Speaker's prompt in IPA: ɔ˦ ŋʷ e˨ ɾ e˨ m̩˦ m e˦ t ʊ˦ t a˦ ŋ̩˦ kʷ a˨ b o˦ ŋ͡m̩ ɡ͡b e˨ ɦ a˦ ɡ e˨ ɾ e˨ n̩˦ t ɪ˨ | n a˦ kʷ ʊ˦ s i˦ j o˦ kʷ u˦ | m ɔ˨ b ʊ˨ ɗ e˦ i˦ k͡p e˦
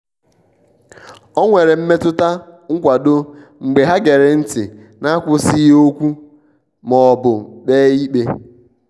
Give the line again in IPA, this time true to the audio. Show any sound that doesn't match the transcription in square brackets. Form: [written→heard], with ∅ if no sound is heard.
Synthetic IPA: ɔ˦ ŋʷ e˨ ɾ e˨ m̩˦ m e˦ t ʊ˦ t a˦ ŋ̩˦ kʷ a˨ [b→d] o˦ ŋ͡m̩ ɡ͡b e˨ ɦ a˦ ɡ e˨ ɾ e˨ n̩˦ t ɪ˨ | n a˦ kʷ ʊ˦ s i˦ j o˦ kʷ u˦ | m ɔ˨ b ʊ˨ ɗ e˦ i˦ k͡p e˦